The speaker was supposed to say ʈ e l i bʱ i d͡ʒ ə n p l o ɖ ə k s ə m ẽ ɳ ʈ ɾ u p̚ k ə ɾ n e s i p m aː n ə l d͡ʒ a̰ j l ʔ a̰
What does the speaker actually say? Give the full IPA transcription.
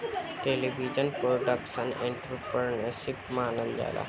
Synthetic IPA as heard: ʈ e l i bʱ i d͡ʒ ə n p ɾ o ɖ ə k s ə n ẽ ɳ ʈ ɾ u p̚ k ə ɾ n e s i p m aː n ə l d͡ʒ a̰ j l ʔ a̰

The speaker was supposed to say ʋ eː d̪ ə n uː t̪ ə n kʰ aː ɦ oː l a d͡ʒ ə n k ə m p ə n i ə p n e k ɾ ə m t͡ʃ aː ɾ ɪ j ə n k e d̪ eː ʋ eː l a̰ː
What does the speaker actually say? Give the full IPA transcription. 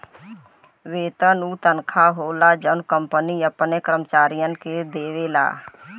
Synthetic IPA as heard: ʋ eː t̪ ə n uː t̪ ə n kʰ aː ɦ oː l a d͡ʒ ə n k ə m p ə n i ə p n e k ɾ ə m t͡ʃ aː ɾ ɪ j ə n k e d̪ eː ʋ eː l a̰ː

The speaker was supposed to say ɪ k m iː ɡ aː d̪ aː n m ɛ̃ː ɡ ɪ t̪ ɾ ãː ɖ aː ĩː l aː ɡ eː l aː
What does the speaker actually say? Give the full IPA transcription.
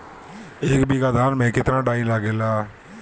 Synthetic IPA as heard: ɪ k b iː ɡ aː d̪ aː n m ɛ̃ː k ɪ t̪ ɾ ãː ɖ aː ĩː l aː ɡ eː l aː

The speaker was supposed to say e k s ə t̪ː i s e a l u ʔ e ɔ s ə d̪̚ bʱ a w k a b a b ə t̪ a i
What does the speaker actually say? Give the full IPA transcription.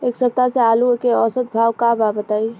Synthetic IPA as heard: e k s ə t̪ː a s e a l u k e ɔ s ə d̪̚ bʱ a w k a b a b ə t̪ a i

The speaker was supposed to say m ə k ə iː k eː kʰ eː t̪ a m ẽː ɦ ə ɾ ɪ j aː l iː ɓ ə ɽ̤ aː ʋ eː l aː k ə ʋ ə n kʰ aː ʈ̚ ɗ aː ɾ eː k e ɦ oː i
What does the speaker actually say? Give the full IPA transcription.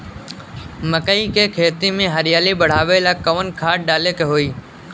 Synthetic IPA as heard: m ə k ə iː k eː kʰ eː t̪ i m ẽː ɦ ə ɾ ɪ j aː l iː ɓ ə ɽ̤ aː ʋ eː l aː k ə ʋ ə n kʰ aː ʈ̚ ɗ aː l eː k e ɦ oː iː

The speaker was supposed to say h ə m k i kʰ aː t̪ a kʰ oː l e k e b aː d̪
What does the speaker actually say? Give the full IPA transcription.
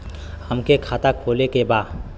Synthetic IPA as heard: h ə m k e kʰ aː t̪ a kʰ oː l e k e b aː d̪

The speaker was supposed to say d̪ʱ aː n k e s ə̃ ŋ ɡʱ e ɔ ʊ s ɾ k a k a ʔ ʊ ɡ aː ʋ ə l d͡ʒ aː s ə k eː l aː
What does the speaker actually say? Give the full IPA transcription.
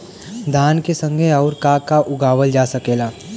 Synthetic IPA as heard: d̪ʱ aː n k e s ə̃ ŋ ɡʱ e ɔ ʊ ɾ k a k a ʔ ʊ ɡ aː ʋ ə l d͡ʒ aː s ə k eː l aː

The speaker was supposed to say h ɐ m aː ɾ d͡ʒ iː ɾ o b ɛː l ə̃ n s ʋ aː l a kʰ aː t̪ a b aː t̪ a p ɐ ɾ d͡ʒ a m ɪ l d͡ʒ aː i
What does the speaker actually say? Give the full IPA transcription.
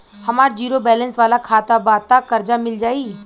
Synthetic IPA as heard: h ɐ m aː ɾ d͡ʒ iː ɾ o b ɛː l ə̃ n s ʋ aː l a kʰ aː t̪ a b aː t̪ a k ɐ ɾ d͡ʒ a m ɪ l d͡ʒ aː i

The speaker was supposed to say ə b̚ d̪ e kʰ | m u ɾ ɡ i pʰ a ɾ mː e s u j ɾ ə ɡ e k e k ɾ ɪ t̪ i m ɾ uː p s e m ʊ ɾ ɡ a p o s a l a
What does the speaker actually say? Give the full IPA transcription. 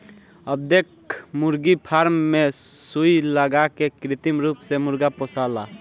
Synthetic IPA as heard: ə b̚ d̪ e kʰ | m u ɾ ɡ i pʰ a ɾ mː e s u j l ə ɡ a k e k ɾ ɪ t̪ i m ɾ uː p s e m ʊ ɾ ɡ a p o s a l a

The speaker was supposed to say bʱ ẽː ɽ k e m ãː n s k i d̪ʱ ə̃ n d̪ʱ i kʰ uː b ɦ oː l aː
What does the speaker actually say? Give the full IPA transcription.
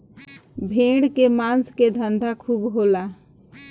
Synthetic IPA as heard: bʱ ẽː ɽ k e m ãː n s k e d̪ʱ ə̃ n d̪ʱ a kʰ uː b ɦ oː l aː

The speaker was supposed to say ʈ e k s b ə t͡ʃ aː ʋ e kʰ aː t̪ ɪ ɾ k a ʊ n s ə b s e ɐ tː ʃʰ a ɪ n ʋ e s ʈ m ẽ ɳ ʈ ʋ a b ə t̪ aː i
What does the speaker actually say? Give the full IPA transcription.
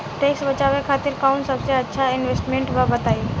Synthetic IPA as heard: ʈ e k s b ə t͡ʃ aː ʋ e kʰ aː t̪ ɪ ɾ k a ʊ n s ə b s e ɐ tː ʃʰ a ɪ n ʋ e s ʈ m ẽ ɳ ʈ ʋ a b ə t̪ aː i

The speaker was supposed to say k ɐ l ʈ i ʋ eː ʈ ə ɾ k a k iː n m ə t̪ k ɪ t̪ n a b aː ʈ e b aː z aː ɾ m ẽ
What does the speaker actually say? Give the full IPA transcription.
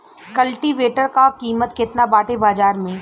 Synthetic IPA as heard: k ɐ l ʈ i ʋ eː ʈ ə ɾ k a k iː m ə t̪ k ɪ t̪ n a b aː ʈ e b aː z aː ɾ m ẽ

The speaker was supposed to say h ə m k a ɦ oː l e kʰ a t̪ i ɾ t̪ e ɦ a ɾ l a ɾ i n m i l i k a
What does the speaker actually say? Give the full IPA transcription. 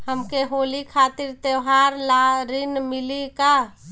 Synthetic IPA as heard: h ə m k e ɦ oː l i kʰ a t̪ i ɾ t̪ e ɦ a ɾ l a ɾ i n m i l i k a

